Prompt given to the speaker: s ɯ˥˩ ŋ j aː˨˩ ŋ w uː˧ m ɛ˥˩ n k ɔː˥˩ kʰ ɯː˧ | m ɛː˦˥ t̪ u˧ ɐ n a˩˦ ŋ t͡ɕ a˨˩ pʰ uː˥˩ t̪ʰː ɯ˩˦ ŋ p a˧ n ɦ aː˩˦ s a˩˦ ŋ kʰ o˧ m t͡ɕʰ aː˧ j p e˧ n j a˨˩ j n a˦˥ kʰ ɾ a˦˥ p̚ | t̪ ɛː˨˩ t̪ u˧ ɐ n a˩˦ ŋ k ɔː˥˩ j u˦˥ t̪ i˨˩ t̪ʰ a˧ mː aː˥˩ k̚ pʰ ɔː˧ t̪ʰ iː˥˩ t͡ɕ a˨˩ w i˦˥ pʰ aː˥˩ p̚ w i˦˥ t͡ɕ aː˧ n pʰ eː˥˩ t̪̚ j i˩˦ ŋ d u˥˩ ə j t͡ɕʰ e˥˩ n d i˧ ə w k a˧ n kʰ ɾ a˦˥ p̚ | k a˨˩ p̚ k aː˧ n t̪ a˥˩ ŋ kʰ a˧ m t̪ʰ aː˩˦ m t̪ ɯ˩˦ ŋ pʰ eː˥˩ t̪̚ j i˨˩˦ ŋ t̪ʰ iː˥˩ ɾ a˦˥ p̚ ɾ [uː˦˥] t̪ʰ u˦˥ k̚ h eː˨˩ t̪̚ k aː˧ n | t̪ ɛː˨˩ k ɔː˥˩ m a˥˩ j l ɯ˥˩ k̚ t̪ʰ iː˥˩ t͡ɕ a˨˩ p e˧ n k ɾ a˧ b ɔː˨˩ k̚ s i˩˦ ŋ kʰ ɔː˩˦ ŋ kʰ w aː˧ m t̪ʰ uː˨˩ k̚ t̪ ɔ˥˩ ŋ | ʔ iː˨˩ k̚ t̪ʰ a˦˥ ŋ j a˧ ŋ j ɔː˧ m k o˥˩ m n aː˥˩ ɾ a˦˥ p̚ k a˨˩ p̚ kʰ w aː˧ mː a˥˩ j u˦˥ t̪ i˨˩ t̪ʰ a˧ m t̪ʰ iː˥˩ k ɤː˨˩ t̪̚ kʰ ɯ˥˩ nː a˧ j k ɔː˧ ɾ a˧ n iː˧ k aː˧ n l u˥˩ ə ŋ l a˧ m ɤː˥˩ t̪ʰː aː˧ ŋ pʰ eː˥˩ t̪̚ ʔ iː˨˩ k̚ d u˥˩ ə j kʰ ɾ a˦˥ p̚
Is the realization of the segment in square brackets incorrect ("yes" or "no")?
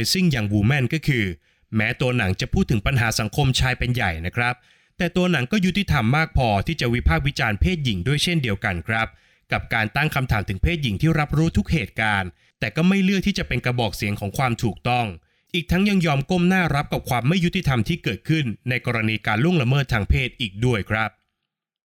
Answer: no